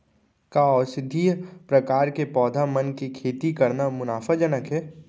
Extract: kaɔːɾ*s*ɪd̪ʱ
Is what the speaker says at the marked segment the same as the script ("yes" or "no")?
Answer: yes